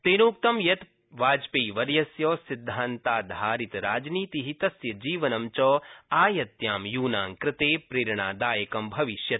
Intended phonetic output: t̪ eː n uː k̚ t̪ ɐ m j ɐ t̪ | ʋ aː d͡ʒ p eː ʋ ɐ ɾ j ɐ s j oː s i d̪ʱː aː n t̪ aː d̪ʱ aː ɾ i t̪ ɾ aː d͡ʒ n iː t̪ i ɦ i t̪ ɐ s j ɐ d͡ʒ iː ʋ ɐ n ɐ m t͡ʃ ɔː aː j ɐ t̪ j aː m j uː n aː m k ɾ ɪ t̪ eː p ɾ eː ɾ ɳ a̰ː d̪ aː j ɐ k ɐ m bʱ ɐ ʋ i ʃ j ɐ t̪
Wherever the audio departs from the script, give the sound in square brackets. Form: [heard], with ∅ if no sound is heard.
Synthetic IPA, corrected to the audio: t̪ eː n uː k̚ t̪ ɐ m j ɐ t̪ | ʋ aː d͡ʒ p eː ʋ ɐ ɾ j ɐ s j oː s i d̪ʱː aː n t̪ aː d̪ʱ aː ɾ i t̪ ɾ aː d͡ʒ n iː t̪ i ɦ i t̪ ɐ s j ɐ d͡ʒ iː ʋ ɐ n ɐ m t͡ʃ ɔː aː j ɐ t̪ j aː m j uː n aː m k ɾ ɪ t̪ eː p ɾ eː ɾ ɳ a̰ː d̪ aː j ɐ k ɐ m bʱ ɐ ʋ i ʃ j ɐ t̪